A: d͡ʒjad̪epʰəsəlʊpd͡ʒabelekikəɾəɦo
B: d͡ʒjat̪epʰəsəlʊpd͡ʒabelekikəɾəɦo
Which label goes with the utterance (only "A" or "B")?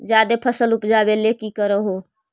A